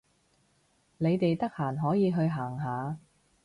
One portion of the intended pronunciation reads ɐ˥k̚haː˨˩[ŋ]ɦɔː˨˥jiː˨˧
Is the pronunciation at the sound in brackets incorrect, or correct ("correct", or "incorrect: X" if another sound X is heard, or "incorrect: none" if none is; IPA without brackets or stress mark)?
incorrect: n